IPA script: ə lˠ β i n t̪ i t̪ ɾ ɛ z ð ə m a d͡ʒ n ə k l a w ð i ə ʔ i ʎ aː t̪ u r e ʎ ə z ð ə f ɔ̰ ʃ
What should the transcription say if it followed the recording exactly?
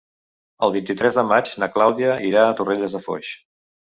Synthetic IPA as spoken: ə lˠ β i n t̪ i t̪ ɾ ɛ z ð ə m a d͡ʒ n ə k l a w ð i ə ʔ i ɾ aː t̪ u r e ʎ ə z ð ə f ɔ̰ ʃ